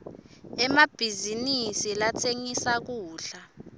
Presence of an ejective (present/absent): absent